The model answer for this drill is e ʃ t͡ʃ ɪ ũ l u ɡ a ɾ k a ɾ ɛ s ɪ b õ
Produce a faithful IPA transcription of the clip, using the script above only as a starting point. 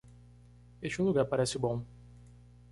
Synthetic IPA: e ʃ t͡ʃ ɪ ũ l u ɡ a ɾ p a ɾ ɛ s ɪ b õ